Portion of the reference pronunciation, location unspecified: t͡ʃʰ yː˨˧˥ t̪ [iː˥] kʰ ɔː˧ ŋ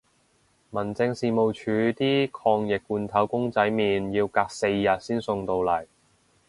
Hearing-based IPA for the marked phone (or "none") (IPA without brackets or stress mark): iː˥